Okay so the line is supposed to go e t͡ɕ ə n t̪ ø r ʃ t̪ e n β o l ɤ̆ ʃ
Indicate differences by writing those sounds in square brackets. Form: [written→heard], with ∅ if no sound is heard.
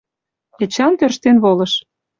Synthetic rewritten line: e t͡ɕ [ə→ɑ] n t̪ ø r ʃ t̪ e n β o l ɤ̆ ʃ